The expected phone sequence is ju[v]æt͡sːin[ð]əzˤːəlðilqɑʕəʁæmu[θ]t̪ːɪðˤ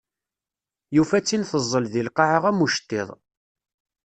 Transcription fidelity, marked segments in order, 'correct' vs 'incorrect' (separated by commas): incorrect, incorrect, incorrect